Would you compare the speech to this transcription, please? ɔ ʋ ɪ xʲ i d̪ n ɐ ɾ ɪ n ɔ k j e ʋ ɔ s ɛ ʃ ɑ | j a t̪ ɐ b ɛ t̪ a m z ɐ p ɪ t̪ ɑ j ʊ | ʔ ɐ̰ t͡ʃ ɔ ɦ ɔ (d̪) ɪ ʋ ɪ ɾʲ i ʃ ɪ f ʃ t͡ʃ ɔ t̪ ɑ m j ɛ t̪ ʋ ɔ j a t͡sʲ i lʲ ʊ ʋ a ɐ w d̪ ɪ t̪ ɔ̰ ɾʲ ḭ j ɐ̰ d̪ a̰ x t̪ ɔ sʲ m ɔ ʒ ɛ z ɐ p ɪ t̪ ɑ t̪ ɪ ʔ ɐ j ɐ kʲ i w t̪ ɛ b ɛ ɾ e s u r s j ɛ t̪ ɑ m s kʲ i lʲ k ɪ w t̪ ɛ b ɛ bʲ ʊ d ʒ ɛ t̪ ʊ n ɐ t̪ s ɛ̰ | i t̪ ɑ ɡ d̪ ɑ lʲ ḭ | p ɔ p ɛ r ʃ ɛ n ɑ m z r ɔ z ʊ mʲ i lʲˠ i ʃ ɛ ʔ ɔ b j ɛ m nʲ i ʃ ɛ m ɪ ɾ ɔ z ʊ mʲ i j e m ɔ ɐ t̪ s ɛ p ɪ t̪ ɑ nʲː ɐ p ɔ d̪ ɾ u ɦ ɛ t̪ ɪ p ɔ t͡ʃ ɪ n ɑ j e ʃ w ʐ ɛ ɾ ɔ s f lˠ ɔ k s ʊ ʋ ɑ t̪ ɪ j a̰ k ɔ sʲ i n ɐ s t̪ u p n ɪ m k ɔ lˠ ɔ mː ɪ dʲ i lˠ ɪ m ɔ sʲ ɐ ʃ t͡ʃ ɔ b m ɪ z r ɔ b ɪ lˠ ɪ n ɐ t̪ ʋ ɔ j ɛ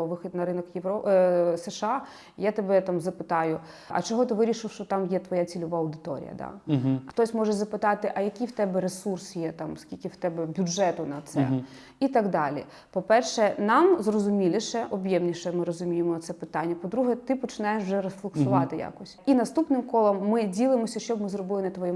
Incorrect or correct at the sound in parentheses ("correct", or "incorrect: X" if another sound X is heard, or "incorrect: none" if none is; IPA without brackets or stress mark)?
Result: incorrect: t̪